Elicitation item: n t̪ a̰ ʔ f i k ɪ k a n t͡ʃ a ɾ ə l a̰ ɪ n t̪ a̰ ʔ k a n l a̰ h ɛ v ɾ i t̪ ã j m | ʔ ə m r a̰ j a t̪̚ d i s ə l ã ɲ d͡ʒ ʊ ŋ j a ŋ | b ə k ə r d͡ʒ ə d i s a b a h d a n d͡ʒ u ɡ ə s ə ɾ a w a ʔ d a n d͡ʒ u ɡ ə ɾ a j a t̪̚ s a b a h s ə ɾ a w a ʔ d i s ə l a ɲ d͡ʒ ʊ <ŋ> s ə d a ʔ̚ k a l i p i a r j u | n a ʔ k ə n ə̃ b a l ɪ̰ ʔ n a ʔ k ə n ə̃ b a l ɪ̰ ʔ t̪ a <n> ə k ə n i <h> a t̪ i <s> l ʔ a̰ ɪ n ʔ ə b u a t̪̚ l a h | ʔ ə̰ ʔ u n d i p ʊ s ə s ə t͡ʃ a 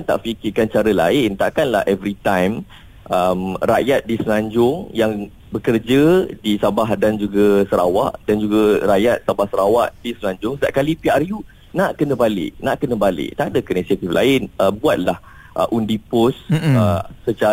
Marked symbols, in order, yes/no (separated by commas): yes, no, no, no